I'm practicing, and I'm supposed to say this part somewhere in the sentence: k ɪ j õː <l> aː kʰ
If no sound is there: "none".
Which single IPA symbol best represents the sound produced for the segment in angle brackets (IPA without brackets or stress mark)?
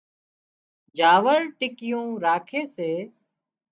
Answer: ɾ